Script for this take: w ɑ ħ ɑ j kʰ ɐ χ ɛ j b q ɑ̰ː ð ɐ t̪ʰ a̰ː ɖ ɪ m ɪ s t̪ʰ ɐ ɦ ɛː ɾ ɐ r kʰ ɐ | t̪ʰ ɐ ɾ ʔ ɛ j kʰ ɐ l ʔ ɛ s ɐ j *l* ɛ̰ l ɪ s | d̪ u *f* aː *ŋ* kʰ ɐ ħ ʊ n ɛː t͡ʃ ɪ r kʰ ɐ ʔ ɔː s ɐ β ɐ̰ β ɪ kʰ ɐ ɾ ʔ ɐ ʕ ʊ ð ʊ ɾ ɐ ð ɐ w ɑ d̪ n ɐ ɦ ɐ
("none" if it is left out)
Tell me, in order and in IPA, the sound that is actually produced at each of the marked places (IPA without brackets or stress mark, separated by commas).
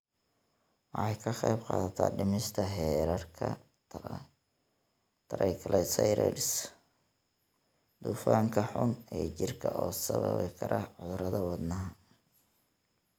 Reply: ɾ, f, ŋ